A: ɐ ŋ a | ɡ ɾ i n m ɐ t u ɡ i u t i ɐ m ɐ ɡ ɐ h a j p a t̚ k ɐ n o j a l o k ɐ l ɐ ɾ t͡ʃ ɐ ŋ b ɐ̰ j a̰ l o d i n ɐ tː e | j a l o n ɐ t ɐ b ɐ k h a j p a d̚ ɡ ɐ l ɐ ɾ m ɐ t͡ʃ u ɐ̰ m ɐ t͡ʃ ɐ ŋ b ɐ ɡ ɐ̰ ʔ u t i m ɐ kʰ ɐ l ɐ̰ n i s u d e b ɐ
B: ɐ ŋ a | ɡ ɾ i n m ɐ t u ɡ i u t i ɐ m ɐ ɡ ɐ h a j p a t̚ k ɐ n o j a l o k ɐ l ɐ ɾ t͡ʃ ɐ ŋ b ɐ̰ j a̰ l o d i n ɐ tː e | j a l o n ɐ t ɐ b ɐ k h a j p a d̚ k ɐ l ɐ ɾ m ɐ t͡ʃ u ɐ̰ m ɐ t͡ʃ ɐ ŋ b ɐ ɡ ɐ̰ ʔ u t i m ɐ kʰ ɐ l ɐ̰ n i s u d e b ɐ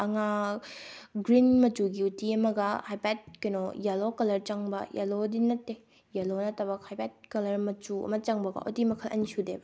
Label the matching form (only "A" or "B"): B